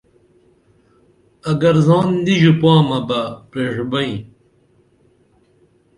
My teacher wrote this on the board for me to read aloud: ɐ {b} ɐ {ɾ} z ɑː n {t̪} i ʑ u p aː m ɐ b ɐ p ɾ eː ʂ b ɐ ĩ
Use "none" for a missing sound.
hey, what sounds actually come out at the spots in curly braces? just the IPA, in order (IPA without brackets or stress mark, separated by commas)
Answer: ɡ, ɾ, d̪